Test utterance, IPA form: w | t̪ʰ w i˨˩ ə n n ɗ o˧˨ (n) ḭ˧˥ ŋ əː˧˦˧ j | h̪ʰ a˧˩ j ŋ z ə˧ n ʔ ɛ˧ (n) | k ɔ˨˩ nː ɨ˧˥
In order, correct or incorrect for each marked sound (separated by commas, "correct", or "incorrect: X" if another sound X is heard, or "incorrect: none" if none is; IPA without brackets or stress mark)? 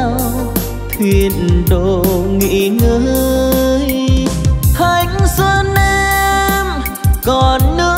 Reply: incorrect: ŋ, incorrect: m